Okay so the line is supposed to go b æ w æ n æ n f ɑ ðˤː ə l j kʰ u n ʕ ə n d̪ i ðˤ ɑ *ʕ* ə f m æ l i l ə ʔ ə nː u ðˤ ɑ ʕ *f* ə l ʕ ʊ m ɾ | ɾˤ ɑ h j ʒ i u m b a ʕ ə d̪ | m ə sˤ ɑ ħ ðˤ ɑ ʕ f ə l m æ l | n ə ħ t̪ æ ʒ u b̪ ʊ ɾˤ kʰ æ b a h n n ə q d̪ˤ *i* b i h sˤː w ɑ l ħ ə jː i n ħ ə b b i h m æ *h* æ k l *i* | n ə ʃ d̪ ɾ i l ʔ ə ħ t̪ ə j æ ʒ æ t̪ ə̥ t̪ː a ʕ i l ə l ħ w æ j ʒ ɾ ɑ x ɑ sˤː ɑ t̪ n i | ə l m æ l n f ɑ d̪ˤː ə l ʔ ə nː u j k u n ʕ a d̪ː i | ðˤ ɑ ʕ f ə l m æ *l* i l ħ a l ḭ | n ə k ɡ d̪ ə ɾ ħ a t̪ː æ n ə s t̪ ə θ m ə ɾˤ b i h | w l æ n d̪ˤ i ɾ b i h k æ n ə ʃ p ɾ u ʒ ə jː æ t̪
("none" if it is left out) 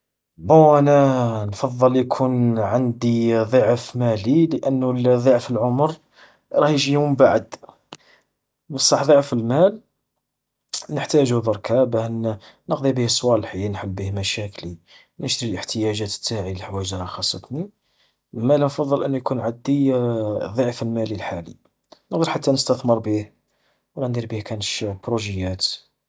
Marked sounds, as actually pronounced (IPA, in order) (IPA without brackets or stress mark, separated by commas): ʕ, f, i, ʃ, i, l